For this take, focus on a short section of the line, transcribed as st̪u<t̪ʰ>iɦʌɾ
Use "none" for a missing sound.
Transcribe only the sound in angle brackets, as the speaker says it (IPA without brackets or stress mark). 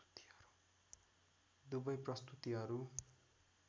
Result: t̪